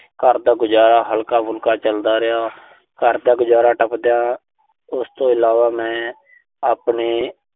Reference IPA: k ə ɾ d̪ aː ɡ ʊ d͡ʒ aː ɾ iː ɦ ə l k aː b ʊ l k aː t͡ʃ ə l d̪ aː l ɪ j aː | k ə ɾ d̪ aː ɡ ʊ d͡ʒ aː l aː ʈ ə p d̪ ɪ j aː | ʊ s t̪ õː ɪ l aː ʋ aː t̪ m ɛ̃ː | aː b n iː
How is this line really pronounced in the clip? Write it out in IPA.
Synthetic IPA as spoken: k ə ɾ d̪ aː ɡ ʊ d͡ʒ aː ɾ aː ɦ ə l k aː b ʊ l k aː t͡ʃ ə l d̪ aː ɾ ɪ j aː | k ə ɾ d̪ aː ɡ ʊ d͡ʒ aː ɾ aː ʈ ə p d̪ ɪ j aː | ʊ s t̪ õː ɪ l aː ʋ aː m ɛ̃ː | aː p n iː